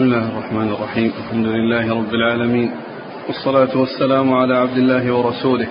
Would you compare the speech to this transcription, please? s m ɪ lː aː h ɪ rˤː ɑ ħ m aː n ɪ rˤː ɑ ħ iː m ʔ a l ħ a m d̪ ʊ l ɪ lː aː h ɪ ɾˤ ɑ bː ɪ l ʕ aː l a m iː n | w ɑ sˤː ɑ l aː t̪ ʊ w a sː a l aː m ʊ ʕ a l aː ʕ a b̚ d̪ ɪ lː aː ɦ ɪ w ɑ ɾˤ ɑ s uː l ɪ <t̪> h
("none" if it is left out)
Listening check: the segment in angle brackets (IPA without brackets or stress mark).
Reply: none